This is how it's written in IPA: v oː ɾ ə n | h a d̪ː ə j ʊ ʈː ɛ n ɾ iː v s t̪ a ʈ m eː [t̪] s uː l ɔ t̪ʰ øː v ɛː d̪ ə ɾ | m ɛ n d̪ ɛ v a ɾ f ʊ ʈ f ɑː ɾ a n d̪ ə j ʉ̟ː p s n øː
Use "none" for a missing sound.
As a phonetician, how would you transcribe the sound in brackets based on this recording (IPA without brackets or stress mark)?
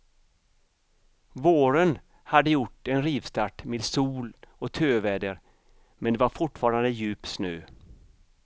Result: d̪